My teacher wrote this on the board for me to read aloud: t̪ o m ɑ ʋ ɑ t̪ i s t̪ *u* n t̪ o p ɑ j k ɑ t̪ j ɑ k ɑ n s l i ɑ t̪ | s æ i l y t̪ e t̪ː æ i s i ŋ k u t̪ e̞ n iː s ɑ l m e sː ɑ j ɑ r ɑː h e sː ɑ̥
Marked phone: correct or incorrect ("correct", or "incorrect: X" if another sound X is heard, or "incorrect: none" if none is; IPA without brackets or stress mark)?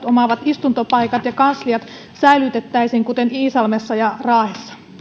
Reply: correct